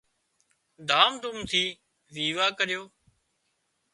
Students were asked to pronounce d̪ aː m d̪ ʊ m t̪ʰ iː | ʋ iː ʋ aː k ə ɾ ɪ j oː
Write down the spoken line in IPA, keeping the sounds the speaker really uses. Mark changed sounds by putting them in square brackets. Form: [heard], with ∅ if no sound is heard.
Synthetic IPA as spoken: d̪ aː m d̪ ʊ m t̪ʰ iː | ʋ iː ʋ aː k ə ɾ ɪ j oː